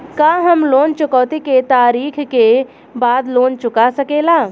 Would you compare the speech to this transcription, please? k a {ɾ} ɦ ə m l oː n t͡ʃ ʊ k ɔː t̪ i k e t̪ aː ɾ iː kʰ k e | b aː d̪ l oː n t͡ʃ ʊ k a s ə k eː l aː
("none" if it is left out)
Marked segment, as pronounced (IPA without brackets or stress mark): none